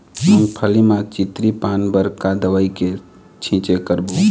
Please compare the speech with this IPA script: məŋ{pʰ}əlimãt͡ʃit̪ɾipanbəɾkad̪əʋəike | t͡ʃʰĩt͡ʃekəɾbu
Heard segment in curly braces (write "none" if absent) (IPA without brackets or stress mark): pʰ